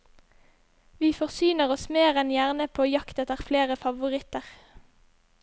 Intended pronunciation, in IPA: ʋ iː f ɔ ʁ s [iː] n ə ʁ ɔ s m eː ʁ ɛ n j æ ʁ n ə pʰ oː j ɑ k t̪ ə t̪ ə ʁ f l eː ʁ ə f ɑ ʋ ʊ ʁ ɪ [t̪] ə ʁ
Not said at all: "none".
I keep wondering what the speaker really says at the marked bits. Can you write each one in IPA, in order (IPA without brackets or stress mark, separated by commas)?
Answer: yː, t̪